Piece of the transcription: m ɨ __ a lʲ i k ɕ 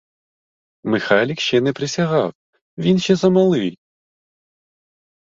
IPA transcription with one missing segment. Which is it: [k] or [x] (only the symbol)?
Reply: x